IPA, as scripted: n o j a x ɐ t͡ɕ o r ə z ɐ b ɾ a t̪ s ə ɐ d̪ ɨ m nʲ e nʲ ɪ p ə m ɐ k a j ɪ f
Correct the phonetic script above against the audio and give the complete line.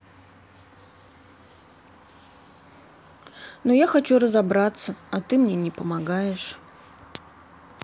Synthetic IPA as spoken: n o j a x ɐ t͡ɕ u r ə z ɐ b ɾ a t̪ s ə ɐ t̪ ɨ m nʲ e nʲ ɪ p ə m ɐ ɡ a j ɪ ʂ